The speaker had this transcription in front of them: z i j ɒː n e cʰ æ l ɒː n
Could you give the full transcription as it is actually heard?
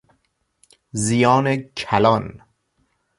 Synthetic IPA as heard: z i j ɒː n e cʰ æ l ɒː n